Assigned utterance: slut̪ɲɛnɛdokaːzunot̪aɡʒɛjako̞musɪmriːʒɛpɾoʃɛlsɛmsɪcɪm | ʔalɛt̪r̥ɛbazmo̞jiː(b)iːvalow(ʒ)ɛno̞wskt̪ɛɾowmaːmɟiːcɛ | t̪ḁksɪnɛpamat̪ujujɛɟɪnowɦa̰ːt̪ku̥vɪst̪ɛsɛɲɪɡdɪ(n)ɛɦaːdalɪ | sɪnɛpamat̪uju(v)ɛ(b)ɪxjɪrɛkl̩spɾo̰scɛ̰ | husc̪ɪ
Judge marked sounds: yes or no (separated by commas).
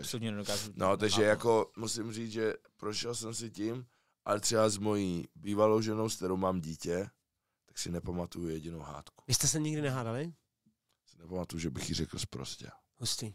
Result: yes, yes, yes, no, yes